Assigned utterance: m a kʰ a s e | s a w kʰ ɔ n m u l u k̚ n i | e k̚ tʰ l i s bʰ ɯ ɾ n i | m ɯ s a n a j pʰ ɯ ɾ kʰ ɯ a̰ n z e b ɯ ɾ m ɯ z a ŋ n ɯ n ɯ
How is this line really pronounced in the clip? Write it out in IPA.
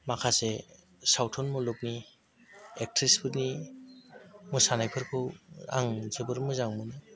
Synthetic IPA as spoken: m a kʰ a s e | s a w tʰ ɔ n m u l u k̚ n i | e k̚ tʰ ɾ i s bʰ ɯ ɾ n i | m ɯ s a n a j pʰ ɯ ɾ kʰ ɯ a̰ ŋ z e b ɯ ɾ m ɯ z a ŋ m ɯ n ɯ